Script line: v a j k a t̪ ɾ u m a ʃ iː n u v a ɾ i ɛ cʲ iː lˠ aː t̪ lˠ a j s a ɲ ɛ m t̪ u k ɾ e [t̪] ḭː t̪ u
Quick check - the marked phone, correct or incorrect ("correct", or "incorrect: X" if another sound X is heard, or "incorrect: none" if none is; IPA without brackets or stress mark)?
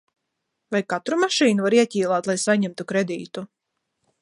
incorrect: d̪